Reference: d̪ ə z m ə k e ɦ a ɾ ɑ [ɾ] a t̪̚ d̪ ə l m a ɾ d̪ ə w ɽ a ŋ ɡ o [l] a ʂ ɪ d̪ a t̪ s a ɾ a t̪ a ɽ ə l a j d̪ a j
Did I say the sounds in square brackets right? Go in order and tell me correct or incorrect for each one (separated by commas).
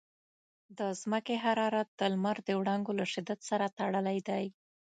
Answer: correct, correct